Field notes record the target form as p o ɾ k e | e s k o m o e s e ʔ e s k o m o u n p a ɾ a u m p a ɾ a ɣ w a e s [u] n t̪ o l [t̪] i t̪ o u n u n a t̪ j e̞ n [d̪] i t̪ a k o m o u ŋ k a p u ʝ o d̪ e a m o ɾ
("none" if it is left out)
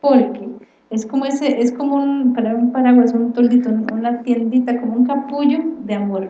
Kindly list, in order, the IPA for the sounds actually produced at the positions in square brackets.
u, d̪, d̪

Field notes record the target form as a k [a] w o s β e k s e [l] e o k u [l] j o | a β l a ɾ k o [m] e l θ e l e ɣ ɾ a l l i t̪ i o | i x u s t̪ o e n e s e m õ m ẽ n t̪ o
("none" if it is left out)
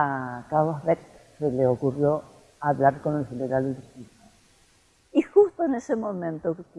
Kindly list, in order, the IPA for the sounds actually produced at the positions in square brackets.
a, l, r, n

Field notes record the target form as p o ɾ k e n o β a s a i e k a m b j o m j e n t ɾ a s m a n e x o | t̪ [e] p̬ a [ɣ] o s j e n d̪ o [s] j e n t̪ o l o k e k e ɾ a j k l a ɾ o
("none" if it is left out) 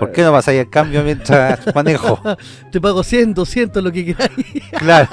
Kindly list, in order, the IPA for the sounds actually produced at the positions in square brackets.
e, ɣ, s

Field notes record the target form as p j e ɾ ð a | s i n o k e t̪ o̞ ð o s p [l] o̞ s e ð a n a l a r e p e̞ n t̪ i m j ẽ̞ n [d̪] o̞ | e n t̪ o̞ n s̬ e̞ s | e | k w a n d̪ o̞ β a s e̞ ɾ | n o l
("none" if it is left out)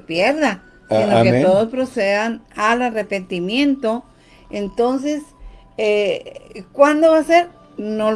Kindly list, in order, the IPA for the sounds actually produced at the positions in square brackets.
ɾ, t̪

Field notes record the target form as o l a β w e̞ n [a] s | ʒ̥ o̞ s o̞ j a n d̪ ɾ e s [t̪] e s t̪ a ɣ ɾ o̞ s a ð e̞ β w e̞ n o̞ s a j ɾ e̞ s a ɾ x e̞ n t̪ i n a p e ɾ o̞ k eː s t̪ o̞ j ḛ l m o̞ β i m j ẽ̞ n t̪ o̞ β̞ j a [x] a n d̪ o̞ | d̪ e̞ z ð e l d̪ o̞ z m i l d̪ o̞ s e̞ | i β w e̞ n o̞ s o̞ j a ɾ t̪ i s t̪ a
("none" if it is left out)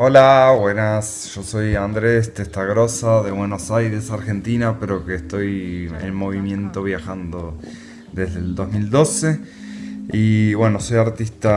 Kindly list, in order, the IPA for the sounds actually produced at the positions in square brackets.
a, t̪, x

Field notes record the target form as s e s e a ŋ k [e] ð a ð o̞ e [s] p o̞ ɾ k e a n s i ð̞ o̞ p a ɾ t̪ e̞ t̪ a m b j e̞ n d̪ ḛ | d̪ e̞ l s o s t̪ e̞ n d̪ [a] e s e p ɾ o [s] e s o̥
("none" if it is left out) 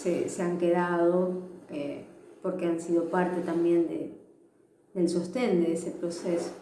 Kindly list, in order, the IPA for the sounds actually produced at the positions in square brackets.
e, none, e, s

